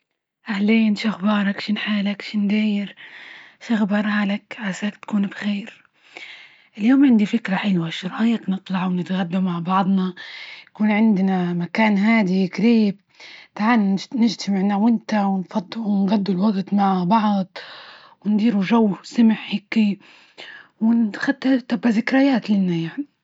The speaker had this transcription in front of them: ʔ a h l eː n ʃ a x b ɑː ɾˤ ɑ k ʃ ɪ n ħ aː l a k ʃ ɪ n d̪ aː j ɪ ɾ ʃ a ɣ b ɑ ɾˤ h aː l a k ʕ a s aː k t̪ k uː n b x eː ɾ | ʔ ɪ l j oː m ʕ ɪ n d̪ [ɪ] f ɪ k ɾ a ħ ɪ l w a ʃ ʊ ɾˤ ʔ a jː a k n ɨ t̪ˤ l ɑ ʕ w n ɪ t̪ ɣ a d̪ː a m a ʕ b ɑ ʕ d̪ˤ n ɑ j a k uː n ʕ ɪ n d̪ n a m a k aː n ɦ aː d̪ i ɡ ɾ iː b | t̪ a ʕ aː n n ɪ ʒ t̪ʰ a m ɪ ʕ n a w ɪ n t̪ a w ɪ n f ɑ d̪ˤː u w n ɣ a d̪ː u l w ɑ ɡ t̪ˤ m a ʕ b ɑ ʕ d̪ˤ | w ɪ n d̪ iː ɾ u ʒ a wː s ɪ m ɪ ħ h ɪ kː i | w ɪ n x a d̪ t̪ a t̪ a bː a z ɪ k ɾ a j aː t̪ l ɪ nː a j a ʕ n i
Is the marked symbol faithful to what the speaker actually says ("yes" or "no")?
no